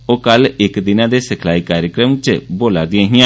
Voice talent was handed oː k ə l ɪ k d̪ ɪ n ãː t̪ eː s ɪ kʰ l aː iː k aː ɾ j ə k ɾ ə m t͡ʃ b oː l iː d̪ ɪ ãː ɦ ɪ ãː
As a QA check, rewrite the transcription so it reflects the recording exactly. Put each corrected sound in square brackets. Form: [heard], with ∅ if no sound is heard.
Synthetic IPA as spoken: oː k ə l ɪ k d̪ ɪ n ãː [d̪] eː s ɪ kʰ l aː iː k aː ɾ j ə k ɾ ə m t͡ʃ b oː l [aː] d̪ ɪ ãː ɦ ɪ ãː